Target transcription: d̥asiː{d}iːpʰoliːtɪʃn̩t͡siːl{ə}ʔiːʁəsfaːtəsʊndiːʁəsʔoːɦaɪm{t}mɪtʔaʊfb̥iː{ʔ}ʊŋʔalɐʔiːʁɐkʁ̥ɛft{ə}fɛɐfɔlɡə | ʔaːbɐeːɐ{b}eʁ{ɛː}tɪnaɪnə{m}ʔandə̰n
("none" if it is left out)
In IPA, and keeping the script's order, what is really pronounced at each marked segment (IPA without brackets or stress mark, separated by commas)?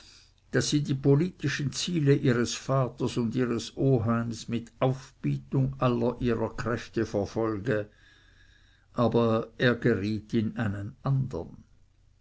d, ə, s, t, ə, ɡ, iː, n